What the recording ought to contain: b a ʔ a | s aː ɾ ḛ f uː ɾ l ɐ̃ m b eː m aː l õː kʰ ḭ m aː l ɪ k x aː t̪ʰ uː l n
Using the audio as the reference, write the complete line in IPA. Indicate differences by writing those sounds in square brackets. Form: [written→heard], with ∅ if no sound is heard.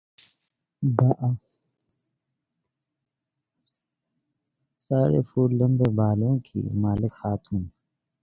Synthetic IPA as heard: b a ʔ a | s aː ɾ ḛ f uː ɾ l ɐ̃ m b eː [m→b] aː l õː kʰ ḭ m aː l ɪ k x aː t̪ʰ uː [l→∅] n